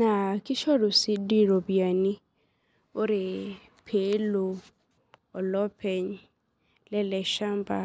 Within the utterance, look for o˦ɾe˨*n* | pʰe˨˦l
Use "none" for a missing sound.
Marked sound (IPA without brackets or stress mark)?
none